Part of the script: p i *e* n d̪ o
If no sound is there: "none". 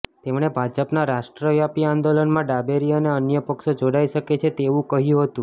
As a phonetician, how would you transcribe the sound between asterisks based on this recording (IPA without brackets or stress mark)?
a